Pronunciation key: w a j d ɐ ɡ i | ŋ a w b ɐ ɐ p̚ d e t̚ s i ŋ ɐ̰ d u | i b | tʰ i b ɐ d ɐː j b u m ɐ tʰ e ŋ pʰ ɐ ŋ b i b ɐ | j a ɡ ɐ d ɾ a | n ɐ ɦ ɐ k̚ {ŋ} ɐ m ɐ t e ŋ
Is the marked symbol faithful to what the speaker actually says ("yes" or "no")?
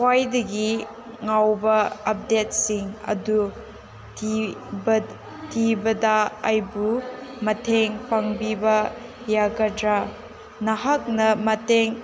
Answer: no